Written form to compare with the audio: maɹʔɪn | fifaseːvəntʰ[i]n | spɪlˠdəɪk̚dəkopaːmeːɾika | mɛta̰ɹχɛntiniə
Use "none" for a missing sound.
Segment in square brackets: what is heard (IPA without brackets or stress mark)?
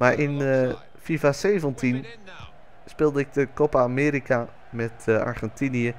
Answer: i